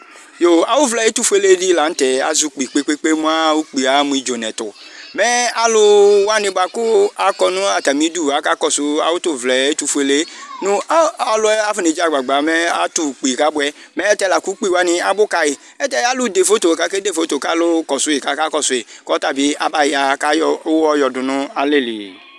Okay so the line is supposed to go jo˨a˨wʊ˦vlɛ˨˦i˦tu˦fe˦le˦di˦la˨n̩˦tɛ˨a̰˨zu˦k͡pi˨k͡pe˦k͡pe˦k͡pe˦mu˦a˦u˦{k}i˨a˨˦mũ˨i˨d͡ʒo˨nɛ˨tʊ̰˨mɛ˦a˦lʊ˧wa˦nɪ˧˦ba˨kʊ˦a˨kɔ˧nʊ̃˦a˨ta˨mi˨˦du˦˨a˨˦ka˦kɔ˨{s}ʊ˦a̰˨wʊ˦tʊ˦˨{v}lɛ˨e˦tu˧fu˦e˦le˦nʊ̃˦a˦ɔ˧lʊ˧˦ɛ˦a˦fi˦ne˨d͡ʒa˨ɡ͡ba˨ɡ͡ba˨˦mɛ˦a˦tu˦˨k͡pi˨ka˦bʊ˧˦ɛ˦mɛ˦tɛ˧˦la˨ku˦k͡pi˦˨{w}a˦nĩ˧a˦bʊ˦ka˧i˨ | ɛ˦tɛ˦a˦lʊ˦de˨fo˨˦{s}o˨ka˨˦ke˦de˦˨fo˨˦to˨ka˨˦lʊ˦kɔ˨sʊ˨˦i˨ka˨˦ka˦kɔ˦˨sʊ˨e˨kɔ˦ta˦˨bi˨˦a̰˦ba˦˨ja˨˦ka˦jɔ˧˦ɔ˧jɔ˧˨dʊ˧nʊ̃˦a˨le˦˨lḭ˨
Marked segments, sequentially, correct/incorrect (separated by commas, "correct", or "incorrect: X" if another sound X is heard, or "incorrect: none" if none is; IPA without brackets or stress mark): incorrect: k͡p, correct, correct, correct, incorrect: t